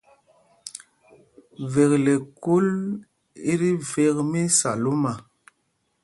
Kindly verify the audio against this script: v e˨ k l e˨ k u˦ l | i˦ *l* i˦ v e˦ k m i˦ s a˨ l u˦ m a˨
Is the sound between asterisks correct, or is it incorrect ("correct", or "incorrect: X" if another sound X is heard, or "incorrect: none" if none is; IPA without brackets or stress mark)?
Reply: incorrect: ɾ